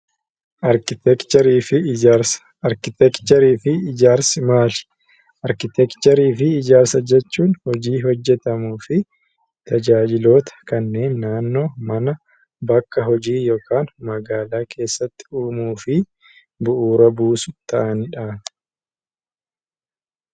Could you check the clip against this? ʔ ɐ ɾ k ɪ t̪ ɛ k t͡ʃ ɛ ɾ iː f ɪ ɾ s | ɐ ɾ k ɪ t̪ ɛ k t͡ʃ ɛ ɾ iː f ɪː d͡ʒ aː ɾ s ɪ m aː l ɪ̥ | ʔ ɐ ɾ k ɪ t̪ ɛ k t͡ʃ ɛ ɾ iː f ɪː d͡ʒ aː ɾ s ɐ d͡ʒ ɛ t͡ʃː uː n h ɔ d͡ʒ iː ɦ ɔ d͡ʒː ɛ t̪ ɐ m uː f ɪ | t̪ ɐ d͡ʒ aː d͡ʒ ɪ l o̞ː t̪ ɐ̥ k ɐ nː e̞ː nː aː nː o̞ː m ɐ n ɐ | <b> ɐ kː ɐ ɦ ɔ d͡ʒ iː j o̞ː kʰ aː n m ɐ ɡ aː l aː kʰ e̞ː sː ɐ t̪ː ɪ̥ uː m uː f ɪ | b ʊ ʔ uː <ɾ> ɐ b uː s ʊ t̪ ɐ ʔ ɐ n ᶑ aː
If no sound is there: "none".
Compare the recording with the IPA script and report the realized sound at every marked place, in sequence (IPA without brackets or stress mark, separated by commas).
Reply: b, ɾ